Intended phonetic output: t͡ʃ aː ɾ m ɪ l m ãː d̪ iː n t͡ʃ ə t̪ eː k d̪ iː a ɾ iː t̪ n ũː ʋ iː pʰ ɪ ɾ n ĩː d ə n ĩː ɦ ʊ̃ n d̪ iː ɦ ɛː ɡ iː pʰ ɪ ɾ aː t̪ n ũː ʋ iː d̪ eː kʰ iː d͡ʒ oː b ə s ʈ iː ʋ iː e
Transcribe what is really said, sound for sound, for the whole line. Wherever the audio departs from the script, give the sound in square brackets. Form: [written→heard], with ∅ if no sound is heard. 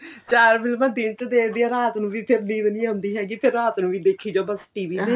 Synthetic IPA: t͡ʃ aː ɾ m ɪ l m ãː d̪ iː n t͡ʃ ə [t̪→d̪] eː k d̪ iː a ɾ [iː→aː] t̪ n ũː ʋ iː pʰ ɪ ɾ n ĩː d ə n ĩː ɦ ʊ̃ n d̪ iː ɦ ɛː ɡ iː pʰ ɪ ɾ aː t̪ n ũː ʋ iː d̪ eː kʰ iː d͡ʒ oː b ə s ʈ iː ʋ iː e